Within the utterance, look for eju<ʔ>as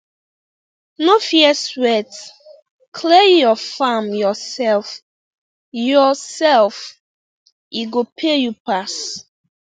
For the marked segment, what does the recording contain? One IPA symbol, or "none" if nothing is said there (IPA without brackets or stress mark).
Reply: p